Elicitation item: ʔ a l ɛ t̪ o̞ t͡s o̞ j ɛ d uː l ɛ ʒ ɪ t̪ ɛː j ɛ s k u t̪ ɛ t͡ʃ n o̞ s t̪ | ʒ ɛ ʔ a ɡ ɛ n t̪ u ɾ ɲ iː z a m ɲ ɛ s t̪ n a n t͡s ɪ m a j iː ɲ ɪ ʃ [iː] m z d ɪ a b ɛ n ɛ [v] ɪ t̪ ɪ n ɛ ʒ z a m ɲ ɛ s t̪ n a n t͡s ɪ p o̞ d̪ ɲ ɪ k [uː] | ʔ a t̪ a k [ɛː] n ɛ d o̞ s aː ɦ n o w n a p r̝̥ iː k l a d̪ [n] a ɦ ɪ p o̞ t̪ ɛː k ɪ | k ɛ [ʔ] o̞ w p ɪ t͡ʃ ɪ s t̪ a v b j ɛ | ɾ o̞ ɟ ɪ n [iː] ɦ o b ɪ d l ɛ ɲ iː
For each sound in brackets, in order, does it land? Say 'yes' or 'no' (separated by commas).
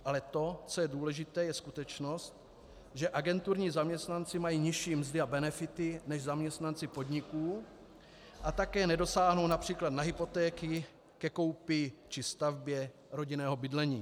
yes, no, yes, yes, yes, no, no